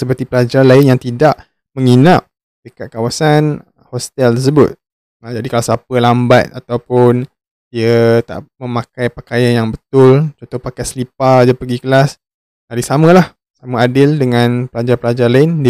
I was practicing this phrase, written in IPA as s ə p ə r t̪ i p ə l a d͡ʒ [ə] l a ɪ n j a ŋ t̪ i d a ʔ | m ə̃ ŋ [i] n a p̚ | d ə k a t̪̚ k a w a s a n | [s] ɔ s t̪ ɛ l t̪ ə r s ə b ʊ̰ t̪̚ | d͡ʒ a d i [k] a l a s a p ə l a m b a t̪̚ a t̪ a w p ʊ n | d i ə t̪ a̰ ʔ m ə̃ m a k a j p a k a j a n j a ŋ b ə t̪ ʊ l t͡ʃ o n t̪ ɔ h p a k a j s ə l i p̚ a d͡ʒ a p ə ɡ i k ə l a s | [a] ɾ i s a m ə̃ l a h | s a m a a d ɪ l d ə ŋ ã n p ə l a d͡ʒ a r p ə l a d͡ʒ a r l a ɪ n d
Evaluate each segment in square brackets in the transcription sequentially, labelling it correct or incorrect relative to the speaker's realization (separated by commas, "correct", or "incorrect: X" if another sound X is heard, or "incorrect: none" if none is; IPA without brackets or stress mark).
incorrect: a, correct, incorrect: h, correct, correct